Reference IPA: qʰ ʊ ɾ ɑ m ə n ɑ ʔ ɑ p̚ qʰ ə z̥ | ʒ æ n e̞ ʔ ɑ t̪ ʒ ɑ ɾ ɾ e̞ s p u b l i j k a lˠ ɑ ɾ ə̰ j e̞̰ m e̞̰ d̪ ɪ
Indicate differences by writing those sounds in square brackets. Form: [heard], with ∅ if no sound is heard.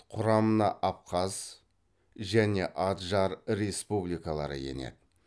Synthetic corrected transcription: qʰ ʊ ɾ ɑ m ə n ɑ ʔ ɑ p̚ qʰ [ɑ] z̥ | ʒ æ n e̞ ʔ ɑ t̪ ʒ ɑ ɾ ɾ e̞ s p u b l i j k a lˠ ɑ ɾ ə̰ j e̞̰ [n] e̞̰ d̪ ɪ